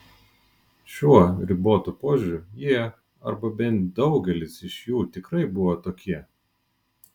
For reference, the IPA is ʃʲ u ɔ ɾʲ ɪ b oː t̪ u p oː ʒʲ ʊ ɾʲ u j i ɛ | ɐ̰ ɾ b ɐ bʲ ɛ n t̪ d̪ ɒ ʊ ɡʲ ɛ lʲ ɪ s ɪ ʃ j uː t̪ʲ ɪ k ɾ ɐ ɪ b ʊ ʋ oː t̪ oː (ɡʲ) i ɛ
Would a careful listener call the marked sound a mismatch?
yes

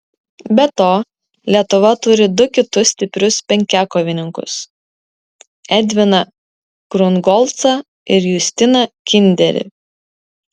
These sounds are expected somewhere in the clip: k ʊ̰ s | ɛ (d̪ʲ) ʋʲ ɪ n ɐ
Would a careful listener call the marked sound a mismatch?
no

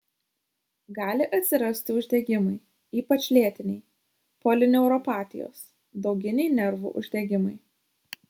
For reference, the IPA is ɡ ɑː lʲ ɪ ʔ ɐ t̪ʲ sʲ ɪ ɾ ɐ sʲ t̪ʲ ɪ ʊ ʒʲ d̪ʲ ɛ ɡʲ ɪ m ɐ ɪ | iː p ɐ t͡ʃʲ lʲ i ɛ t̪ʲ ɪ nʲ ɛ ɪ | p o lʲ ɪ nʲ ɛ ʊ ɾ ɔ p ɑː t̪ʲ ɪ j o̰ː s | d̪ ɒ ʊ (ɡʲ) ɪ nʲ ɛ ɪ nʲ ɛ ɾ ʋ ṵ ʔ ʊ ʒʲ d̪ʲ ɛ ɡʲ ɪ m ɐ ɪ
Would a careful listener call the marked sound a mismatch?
no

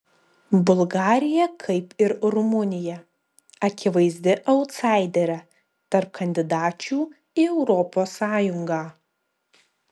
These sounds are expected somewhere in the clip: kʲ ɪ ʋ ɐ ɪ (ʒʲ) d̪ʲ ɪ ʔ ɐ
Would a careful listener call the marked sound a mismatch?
yes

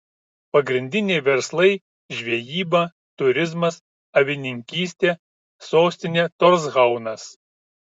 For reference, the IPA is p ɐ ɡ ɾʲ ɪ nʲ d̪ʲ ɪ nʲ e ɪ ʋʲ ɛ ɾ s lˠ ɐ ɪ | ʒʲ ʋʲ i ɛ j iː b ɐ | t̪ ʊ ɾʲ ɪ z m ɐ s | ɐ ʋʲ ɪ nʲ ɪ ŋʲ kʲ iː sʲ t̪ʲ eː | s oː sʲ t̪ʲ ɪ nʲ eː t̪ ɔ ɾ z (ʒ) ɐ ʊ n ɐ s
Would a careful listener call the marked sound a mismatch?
yes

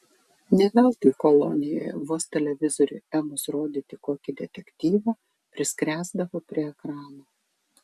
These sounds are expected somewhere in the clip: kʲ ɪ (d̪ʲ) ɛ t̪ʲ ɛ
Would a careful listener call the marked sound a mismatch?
no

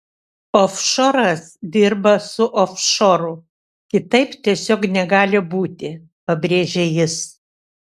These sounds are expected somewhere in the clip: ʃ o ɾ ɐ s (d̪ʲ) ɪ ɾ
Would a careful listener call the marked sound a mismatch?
no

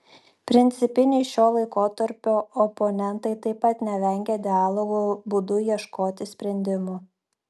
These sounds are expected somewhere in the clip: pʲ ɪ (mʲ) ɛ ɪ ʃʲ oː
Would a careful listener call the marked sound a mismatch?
yes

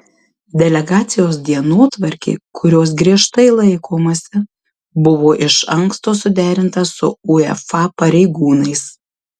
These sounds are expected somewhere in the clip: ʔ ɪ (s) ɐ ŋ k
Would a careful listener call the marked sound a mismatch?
yes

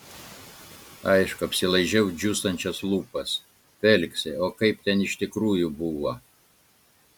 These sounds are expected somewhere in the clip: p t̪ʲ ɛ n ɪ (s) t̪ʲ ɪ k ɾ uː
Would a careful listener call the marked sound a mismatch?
yes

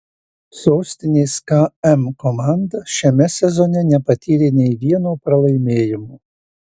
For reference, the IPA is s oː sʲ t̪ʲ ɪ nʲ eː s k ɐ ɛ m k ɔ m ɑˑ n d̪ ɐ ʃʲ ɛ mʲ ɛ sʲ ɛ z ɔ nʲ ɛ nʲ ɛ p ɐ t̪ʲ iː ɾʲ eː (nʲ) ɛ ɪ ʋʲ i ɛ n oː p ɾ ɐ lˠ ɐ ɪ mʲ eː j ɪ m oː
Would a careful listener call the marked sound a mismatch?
no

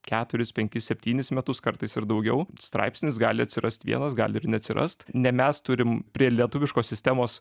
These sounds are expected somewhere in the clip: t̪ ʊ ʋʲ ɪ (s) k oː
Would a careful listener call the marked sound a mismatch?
yes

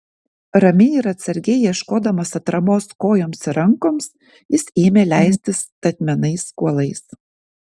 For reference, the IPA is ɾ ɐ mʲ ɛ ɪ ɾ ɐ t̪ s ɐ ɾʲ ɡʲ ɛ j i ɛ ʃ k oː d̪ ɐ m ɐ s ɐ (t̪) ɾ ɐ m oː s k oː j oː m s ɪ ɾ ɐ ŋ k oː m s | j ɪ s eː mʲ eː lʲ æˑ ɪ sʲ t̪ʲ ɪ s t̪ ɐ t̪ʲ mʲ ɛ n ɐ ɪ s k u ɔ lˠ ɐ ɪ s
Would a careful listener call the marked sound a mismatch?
no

